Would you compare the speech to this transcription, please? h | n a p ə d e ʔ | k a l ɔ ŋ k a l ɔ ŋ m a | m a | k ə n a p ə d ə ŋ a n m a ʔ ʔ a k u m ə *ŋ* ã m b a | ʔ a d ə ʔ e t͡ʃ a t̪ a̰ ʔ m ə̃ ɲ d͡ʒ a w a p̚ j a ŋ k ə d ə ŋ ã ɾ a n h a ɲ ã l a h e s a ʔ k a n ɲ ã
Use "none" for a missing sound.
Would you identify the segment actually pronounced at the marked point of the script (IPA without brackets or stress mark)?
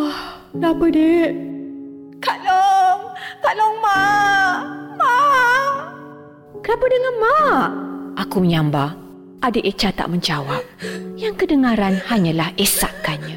ɲ